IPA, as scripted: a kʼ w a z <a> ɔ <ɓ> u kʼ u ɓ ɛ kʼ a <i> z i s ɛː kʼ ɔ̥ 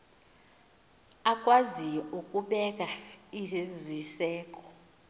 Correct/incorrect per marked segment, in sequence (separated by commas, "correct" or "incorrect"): incorrect, incorrect, correct